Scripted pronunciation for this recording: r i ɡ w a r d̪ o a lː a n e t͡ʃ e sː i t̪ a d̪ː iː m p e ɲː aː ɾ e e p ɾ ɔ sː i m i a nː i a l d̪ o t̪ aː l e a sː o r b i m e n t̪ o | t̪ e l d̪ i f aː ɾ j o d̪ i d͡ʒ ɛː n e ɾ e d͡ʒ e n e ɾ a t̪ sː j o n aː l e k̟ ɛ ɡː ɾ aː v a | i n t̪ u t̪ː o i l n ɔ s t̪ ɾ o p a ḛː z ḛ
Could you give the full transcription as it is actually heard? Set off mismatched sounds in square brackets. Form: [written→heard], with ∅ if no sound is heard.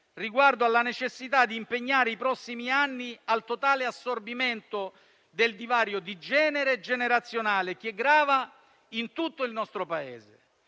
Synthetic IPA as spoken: r i ɡ w a r d̪ o a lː a n e t͡ʃ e sː i t̪ a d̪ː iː m p e ɲː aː ɾ e [e→i] p ɾ ɔ sː i m i a nː i a l [d̪→t̪] o t̪ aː l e a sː o r b i m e n t̪ o | [t̪→d̪] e l d̪ i [f→v] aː ɾ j o d̪ i d͡ʒ ɛː n e ɾ e d͡ʒ e n e ɾ a t̪ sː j o n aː l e k̟ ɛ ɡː ɾ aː v a | i n t̪ u t̪ː o i l n ɔ s t̪ ɾ o p a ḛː z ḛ